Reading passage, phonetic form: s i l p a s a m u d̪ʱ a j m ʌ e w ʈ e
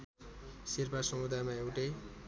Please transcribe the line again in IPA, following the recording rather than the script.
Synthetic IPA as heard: s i r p a s ʌ m u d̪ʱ a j m a e w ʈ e